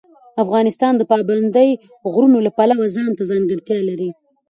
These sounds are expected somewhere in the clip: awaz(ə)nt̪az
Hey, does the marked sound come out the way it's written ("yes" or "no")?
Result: no